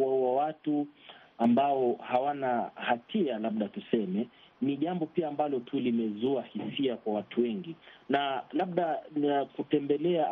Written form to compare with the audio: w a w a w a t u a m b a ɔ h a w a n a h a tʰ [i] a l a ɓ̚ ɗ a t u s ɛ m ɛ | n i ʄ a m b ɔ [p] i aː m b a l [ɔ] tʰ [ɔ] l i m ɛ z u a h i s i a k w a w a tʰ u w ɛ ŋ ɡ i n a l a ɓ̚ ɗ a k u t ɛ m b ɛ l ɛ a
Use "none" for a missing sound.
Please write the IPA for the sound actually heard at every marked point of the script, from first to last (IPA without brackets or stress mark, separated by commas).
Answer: i, p, ɔ, u